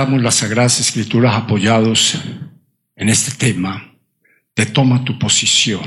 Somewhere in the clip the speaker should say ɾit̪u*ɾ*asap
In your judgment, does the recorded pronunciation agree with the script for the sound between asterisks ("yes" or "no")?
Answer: yes